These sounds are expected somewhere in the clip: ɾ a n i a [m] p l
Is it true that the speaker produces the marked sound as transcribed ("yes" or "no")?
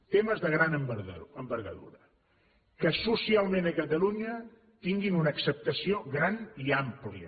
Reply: yes